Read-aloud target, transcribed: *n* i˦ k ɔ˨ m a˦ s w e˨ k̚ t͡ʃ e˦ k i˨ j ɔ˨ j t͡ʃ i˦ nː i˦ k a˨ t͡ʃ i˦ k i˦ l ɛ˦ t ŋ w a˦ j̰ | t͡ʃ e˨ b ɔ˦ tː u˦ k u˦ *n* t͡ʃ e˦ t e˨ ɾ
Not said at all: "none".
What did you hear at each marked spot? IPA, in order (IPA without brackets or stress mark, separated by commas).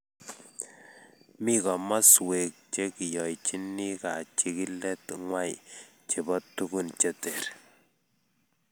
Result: m, n